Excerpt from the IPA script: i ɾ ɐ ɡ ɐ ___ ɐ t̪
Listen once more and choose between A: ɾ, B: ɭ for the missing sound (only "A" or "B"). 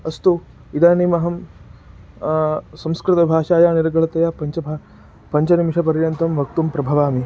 B